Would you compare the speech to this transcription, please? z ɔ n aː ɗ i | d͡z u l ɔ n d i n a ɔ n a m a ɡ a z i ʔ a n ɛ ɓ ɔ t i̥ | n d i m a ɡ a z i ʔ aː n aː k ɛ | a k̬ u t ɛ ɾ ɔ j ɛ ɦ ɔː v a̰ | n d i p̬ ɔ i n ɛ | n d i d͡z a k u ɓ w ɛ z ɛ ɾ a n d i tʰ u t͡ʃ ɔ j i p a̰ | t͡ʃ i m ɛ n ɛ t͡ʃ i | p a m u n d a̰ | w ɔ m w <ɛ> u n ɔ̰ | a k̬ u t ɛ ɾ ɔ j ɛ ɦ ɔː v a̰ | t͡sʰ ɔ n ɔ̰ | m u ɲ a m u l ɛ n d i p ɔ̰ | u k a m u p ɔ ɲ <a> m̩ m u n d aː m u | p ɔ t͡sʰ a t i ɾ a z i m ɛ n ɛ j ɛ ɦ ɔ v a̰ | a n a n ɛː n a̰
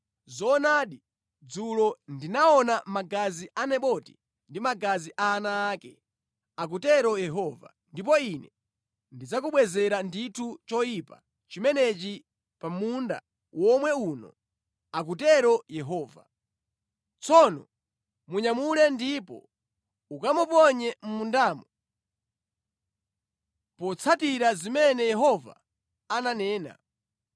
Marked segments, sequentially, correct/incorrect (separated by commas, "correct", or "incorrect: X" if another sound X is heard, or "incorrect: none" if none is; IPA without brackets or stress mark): correct, incorrect: ɛ